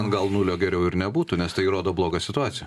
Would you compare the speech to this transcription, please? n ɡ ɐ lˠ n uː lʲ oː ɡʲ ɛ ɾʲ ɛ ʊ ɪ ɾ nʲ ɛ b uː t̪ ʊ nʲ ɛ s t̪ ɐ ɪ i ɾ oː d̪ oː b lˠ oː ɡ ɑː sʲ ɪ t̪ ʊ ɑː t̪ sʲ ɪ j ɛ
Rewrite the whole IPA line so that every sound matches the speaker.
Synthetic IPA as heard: n ɡ ɐ lˠ n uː lʲ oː ɡʲ ɛ ɾʲ ɛ ʊ ɪ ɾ nʲ ɛ b uː t̪ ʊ nʲ ɛ s t̪ ɐ ɪ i ɾ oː d̪ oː b lˠ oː ɡ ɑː sʲ ɪ t̪ ʊ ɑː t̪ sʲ ɪ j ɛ